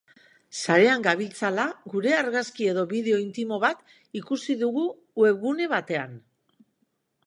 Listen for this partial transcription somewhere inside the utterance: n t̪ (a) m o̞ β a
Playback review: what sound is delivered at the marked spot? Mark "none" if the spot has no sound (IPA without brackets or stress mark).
i